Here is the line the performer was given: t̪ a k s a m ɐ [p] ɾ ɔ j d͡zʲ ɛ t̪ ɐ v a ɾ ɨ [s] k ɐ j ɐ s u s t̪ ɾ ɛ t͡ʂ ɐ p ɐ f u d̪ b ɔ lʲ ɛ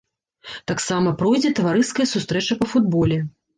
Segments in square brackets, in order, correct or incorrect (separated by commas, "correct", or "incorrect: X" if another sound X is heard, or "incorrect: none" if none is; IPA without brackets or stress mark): correct, correct